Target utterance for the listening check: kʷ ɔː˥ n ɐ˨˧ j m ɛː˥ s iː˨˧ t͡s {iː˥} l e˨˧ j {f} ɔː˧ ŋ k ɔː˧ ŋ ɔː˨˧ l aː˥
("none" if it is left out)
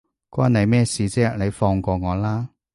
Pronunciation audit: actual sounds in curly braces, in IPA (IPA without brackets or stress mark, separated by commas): ɛː˥, f